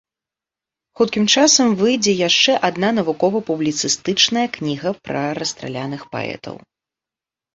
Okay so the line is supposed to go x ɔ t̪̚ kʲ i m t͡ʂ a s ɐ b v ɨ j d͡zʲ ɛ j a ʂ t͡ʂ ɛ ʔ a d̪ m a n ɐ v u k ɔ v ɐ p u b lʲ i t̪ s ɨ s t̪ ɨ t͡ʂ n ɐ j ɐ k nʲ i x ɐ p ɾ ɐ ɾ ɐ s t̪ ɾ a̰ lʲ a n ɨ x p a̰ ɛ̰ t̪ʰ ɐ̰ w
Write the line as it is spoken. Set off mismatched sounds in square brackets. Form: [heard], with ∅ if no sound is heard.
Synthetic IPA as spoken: x [u] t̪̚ kʲ i m t͡ʂ a s ɐ [m] v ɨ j d͡zʲ ɛ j a ʂ t͡ʂ ɛ ʔ a d̪ [n] a n ɐ v u k ɔ v ɐ p u b lʲ i t̪ s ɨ s t̪ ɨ t͡ʂ n ɐ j ɐ k nʲ i [ɣ] ɐ p ɾ ɐ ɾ ɐ s t̪ ɾ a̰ lʲ a n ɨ x p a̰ ɛ̰ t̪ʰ ɐ̰ w